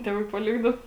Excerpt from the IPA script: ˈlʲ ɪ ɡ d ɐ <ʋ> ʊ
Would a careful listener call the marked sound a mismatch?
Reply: yes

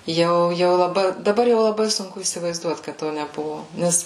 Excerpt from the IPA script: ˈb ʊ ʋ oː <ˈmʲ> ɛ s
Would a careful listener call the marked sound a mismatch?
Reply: yes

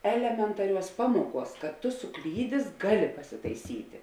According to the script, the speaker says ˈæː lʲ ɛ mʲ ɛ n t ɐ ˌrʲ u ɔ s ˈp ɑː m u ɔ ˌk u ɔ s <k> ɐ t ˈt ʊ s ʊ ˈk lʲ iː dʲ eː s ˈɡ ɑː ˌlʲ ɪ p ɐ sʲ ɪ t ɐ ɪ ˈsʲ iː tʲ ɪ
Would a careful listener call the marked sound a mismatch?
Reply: no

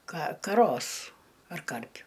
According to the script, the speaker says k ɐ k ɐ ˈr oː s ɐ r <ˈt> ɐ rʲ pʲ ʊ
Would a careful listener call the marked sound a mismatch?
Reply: yes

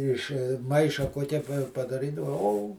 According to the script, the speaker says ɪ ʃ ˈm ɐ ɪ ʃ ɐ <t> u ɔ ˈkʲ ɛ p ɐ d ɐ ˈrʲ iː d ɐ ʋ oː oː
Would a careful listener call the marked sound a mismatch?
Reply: yes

